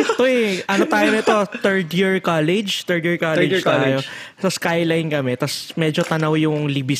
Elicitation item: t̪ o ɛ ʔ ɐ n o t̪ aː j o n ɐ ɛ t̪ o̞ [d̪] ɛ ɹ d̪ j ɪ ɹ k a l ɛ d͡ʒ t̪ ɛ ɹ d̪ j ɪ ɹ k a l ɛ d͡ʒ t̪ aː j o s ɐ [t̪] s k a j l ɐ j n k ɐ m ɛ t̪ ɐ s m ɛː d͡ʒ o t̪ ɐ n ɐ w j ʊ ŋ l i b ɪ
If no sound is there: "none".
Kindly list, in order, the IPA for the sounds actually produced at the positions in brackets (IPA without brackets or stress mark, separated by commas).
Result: t̪, none